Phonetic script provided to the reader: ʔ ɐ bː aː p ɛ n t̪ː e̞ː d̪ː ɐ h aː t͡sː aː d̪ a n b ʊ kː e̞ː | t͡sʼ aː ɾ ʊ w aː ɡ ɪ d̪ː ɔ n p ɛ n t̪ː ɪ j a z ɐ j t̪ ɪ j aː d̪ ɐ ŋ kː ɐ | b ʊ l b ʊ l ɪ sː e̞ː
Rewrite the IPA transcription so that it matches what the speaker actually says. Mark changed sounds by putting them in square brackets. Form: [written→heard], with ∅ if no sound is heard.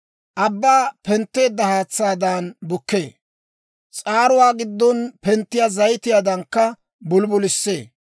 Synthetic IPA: ʔ ɐ bː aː p ɛ n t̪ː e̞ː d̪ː ɐ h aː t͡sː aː d̪ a n b ʊ kː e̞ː | t͡sʼ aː ɾ ʊ w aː ɡ ɪ d̪ː ɔ n p ɛ n t̪ː ɪ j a z ɐ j t̪ ɪ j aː d̪ ɐ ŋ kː ɐ | b ʊ l b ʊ l ɪ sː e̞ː